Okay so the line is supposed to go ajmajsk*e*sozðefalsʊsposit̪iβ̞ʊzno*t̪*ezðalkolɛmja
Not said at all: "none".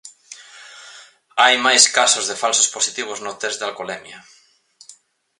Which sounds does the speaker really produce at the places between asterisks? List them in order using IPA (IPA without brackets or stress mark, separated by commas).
a, t̪